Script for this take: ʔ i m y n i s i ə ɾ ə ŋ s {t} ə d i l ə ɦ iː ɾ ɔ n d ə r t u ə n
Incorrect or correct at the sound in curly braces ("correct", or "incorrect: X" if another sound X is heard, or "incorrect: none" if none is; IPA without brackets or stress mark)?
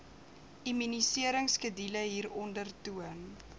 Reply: incorrect: k